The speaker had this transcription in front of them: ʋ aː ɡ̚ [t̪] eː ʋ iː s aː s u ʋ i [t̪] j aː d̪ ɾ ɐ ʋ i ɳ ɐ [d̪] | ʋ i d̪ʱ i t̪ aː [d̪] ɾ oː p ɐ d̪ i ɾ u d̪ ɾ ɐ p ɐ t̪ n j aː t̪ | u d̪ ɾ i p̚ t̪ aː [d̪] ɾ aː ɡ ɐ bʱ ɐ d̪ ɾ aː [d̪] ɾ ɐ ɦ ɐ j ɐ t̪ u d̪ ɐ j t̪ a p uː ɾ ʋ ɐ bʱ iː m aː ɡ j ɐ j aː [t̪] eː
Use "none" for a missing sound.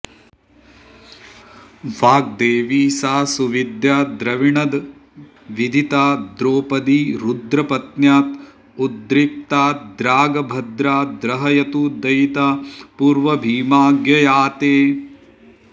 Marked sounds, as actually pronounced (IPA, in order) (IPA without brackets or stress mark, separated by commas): d̪, d̪, d̪, d̪, d̪, d̪, t̪